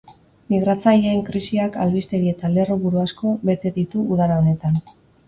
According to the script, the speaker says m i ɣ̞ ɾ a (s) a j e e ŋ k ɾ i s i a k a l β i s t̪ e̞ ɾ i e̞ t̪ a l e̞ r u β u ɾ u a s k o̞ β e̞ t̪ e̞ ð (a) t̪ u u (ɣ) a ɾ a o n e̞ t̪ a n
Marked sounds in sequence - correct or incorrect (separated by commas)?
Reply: incorrect, incorrect, incorrect